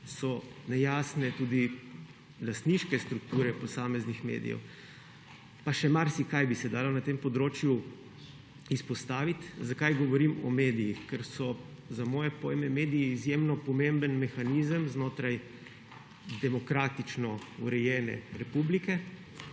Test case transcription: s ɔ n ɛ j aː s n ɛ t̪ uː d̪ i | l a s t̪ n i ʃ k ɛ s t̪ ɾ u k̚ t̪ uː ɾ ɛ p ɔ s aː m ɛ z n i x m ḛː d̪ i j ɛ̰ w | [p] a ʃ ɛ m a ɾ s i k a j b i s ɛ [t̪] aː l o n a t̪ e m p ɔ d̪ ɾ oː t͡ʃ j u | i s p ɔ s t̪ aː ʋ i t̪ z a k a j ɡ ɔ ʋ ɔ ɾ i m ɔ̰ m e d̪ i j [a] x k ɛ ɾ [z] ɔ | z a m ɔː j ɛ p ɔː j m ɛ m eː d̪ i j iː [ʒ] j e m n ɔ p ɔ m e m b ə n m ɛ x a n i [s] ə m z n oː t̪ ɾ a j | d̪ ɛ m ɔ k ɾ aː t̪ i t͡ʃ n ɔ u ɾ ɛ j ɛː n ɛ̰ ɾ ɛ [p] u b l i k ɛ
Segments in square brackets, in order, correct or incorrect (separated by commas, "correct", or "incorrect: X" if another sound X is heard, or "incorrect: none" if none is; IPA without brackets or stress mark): correct, incorrect: d̪, incorrect: i, incorrect: s, incorrect: z, incorrect: z, correct